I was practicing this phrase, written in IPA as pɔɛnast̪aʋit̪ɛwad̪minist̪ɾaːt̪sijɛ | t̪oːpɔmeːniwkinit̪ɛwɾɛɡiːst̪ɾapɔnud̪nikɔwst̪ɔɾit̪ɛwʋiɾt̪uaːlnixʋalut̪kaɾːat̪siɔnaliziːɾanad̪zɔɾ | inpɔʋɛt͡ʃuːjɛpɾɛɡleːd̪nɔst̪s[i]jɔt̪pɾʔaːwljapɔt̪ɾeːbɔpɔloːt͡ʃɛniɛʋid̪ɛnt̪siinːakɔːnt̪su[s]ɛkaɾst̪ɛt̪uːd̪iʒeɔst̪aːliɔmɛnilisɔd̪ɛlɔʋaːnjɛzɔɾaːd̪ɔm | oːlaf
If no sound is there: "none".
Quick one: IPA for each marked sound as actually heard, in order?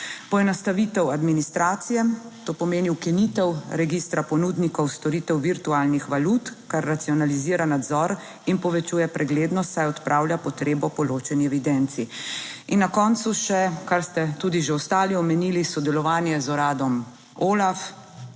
a, ʃ

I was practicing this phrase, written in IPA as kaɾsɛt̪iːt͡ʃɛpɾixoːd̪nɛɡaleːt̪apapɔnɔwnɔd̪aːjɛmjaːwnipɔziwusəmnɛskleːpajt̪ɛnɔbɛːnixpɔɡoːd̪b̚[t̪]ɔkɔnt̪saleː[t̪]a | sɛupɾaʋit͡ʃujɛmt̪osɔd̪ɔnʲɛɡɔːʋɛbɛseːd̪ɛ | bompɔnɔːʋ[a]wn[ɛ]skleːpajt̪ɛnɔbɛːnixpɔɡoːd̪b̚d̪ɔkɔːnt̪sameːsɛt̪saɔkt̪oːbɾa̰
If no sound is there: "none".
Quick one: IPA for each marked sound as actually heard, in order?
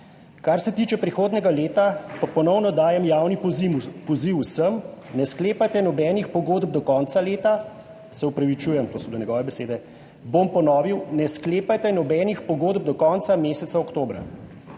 d̪, t̪, i, ɛ

